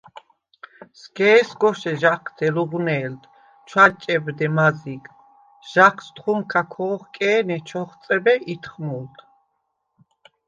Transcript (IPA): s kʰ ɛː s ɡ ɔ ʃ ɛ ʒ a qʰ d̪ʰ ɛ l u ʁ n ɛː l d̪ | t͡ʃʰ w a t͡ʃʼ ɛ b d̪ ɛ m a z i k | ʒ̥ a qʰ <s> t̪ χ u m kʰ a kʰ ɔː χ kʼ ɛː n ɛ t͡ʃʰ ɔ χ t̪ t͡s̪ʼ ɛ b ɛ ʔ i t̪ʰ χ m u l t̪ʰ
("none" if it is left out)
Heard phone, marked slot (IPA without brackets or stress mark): s